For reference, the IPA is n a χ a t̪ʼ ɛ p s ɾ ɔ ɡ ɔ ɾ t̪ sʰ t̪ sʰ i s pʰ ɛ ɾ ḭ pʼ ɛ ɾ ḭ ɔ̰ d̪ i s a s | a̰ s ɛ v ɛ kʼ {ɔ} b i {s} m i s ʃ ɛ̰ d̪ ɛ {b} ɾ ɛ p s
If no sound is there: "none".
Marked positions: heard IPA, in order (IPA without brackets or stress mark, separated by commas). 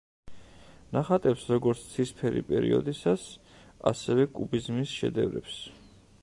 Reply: u, z, v